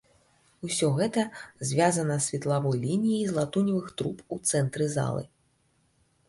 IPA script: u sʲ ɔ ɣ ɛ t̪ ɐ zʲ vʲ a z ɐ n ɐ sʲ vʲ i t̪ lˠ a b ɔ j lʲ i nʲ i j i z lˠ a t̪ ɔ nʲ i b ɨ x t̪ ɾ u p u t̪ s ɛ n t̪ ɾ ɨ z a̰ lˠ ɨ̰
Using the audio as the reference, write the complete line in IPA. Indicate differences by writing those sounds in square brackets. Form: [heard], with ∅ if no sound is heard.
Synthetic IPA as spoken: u sʲ ɔ ɣ ɛ t̪ ɐ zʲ vʲ a z ɐ n ɐ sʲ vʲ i t̪ lˠ a [v] ɔ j lʲ i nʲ i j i z lˠ a t̪ [u] nʲ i [v] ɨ x t̪ ɾ u p u t̪ s ɛ n t̪ ɾ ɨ z a̰ lˠ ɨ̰

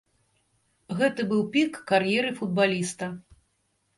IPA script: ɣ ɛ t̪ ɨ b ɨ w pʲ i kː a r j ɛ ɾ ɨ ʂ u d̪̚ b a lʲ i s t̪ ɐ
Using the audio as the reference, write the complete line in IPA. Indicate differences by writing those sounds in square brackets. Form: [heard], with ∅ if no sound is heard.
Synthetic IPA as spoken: ɣ ɛ t̪ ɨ b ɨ w pʲ i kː a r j ɛ ɾ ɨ [f] u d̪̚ b a lʲ i s t̪ ɐ

